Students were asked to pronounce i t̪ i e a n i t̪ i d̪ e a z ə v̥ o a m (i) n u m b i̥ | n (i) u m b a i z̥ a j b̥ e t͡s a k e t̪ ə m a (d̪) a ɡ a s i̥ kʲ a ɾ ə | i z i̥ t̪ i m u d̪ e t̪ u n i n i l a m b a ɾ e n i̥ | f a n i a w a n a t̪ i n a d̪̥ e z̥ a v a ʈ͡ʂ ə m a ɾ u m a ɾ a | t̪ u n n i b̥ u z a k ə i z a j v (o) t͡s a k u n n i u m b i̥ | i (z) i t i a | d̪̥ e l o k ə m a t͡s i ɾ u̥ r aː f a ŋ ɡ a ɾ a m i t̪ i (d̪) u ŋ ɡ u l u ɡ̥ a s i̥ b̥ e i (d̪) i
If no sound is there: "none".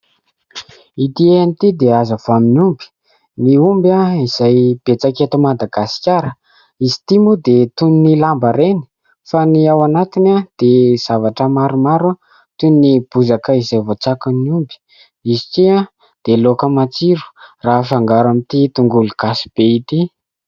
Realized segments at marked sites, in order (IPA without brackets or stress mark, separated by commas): i, i, d̪, o, z, t̪, t̪